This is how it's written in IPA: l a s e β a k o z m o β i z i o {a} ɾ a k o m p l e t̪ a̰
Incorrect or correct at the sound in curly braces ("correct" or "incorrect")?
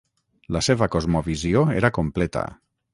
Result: incorrect